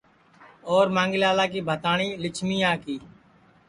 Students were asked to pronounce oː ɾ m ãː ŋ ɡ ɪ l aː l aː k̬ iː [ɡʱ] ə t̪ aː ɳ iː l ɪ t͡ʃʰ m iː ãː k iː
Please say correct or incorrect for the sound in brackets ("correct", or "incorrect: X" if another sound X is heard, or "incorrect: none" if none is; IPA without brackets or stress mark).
incorrect: bʱ